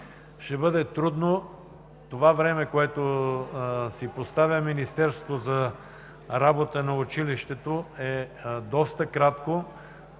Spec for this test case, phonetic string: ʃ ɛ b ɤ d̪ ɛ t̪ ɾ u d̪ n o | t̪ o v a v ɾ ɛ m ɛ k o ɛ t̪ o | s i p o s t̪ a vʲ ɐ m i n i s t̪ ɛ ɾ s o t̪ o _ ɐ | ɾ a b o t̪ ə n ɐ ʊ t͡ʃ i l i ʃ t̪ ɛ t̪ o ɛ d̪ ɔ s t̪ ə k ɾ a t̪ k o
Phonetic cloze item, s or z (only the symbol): z